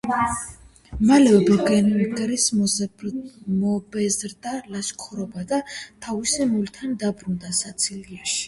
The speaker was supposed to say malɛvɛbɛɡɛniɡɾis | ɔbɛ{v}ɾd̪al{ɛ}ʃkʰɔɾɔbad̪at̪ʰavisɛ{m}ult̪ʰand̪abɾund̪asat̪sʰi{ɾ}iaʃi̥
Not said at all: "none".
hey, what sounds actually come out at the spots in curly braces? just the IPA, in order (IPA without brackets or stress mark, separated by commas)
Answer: z, a, m, l